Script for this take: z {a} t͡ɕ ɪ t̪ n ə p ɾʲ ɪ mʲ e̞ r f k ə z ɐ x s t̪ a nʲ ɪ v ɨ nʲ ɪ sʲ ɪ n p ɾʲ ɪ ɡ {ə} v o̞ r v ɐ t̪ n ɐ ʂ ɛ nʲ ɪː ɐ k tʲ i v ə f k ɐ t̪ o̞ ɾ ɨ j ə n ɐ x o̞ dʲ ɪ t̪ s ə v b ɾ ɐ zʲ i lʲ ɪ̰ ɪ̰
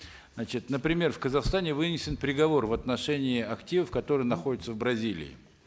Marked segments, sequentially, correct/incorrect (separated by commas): correct, incorrect